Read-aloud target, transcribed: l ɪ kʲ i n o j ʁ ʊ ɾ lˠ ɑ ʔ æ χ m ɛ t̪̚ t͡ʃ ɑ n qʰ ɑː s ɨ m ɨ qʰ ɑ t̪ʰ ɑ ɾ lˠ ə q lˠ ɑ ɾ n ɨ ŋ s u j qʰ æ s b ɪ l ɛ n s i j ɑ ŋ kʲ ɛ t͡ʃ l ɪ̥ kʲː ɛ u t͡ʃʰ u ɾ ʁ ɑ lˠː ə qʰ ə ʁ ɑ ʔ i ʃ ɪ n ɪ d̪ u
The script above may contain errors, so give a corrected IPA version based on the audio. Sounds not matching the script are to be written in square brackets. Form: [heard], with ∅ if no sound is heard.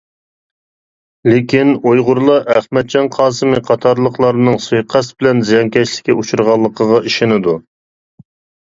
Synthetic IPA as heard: l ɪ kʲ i n o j ʁ ʊ ɾ lˠ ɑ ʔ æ χ m ɛ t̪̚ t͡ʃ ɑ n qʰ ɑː s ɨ m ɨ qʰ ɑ t̪ʰ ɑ ɾ lˠ ə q lˠ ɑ ɾ n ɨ ŋ s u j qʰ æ s b ɪ l ɛ n [z] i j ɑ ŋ kʲ ɛ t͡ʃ l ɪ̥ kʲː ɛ u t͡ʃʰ u ɾ ʁ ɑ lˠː ə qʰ ə ʁ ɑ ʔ i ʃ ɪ n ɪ d̪ u

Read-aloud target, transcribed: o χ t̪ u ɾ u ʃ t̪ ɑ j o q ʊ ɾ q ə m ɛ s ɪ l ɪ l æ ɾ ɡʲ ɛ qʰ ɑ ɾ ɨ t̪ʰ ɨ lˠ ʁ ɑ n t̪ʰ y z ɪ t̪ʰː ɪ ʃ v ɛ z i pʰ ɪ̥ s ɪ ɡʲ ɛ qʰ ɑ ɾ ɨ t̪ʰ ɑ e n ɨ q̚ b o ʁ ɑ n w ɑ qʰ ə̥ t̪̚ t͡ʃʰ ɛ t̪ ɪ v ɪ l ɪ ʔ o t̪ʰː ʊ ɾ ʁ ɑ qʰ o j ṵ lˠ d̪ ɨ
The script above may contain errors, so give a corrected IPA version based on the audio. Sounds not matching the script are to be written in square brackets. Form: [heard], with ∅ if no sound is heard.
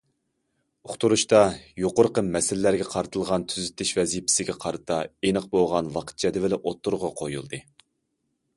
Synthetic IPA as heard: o χ t̪ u ɾ u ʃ t̪ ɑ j o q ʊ ɾ q ə m ɛ s ɪ l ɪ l æ ɾ ɡʲ ɛ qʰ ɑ ɾ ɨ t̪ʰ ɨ lˠ ʁ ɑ n t̪ʰ y z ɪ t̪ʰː ɪ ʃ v ɛ z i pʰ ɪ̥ s ɪ ɡʲ ɛ qʰ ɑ ɾ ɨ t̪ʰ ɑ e n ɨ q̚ b o ʁ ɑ n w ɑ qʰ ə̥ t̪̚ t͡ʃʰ ɛ [d̪] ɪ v ɪ l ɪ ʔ o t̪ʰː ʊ ɾ ʁ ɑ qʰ o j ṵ lˠ d̪ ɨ

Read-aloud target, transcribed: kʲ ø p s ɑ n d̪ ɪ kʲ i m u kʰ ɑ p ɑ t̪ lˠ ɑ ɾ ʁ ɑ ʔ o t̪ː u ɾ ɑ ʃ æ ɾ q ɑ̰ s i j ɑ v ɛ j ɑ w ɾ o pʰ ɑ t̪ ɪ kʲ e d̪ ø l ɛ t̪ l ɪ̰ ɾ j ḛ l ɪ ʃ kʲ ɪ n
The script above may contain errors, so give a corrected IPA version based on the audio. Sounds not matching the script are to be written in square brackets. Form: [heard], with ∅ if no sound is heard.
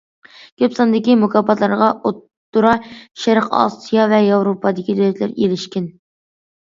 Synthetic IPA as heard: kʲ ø p s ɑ n d̪ ɪ kʲ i m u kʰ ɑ p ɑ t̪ lˠ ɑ ɾ ʁ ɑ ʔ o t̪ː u ɾ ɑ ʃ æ ɾ q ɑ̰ s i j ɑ v ɛ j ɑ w ɾ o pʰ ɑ [d̪] ɪ kʲ [i] d̪ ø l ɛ t̪ l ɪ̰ ɾ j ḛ l ɪ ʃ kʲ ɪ n

